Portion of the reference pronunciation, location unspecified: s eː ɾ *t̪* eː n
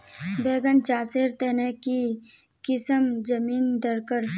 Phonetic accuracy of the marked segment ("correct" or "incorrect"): correct